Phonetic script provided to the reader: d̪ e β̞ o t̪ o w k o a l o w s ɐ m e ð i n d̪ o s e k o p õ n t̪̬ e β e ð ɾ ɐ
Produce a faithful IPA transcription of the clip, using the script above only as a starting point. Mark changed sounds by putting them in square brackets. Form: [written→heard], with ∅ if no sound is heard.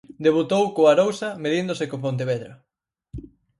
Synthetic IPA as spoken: d̪ e β̞ [o→u] t̪ o w k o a [l→ɾ] o w s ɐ m e ð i n d̪ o s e k o p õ n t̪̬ e β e ð ɾ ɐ